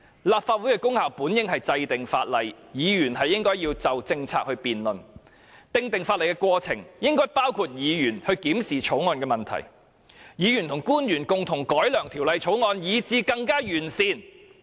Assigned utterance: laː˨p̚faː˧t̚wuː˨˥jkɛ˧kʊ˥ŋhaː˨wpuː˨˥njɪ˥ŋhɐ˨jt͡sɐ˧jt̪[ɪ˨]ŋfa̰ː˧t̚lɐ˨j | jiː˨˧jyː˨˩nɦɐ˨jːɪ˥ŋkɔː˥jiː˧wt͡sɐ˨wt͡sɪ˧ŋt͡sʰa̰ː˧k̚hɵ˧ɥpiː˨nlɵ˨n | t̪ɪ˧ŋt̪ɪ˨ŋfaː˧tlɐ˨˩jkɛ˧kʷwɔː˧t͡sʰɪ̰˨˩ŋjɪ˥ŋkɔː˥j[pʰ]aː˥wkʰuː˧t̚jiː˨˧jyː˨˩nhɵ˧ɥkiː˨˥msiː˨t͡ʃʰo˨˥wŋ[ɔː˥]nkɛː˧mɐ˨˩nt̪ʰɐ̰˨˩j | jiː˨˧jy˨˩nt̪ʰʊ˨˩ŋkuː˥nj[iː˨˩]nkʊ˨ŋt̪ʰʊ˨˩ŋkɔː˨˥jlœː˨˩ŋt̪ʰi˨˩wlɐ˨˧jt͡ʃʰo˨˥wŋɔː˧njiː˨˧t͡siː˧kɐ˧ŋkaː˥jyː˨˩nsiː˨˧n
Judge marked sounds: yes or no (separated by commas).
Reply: yes, no, no, no